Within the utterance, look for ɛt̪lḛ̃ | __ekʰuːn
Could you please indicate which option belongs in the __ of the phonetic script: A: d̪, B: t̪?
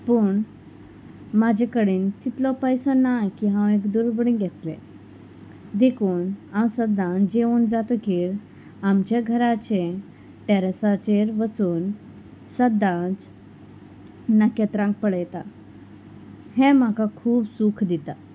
A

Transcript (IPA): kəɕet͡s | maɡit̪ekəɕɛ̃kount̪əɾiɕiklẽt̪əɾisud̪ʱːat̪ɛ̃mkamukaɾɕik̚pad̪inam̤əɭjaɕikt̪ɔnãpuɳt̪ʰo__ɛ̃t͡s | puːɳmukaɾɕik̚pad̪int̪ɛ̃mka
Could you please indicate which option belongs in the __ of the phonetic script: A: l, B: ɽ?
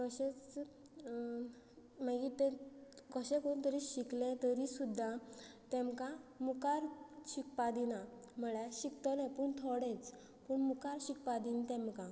B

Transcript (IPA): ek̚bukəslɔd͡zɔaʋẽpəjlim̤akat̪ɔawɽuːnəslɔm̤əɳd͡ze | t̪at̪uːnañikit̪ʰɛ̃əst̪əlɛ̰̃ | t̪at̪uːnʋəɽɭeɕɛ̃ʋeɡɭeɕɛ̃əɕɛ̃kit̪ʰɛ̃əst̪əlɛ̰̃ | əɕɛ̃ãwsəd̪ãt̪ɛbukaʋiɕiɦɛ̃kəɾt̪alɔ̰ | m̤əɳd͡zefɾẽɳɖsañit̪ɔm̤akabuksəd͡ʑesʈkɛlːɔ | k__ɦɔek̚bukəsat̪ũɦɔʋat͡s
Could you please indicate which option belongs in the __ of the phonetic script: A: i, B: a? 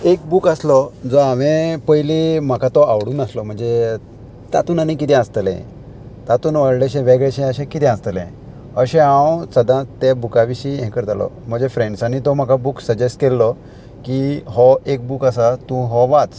A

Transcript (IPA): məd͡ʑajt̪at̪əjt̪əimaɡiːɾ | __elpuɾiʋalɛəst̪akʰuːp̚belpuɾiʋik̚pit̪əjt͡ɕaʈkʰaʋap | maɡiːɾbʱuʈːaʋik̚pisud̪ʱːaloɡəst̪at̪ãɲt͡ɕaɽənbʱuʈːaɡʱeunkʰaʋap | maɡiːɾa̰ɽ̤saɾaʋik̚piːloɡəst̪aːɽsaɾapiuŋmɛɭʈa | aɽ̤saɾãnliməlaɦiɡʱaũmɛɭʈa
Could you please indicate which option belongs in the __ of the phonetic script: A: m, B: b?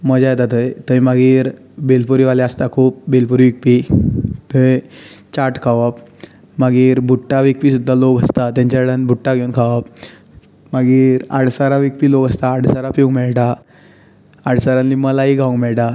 B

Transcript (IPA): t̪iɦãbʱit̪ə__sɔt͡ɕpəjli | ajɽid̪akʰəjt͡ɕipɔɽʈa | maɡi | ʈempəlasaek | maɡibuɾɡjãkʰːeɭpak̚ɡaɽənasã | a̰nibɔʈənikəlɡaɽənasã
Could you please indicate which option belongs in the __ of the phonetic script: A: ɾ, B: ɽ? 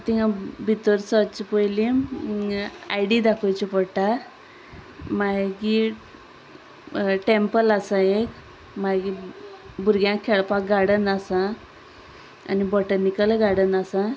A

